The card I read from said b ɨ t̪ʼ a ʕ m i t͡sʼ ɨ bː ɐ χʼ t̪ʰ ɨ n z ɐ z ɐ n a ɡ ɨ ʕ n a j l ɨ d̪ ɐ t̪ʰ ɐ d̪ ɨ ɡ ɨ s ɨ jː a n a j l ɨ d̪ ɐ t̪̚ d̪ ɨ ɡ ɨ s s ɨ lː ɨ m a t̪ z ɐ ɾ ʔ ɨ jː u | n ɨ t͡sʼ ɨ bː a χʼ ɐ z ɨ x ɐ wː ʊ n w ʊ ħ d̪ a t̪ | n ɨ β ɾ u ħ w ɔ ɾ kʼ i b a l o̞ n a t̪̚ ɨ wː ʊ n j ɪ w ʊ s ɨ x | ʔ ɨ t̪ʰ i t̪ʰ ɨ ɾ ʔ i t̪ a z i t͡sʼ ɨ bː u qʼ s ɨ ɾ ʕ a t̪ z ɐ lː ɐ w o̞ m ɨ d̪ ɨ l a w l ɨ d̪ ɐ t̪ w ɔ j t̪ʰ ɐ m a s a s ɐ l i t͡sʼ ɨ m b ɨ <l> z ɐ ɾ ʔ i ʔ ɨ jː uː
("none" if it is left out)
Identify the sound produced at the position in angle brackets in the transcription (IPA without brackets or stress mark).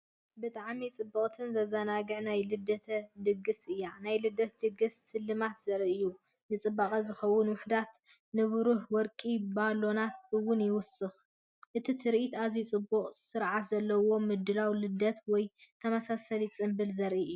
l